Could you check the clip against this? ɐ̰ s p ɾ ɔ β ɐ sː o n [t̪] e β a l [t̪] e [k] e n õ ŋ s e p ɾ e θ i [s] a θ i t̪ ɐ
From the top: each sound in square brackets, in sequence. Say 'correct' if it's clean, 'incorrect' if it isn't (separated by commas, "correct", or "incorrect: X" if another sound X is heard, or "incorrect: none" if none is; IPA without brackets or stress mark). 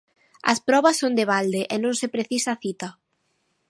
incorrect: d̪, incorrect: d̪, incorrect: ʔ, correct